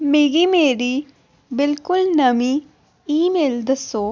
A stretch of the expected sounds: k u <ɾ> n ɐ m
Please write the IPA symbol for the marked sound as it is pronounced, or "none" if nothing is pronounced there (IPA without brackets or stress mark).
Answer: l